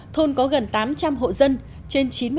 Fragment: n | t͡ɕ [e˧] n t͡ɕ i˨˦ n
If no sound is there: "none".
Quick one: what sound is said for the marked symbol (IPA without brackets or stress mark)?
e˧